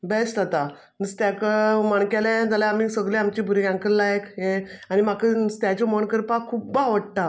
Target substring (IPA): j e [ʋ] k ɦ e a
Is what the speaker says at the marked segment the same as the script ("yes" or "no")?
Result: no